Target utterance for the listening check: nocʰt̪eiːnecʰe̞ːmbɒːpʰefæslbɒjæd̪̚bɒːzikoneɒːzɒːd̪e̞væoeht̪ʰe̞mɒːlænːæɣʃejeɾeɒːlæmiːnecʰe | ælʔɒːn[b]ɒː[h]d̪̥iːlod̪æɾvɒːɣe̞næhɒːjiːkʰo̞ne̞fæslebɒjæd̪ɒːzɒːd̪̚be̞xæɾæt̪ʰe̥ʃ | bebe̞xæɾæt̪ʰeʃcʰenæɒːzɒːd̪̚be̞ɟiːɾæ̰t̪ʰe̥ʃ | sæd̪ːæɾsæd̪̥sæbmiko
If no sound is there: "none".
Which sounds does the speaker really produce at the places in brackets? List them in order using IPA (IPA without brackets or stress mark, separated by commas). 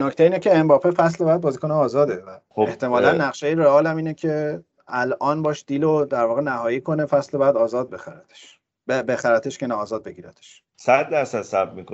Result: b, ʃ